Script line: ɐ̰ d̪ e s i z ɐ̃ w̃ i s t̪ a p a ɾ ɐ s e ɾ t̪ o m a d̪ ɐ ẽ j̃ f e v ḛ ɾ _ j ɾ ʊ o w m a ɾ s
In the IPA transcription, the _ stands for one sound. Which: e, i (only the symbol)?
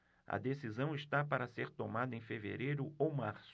e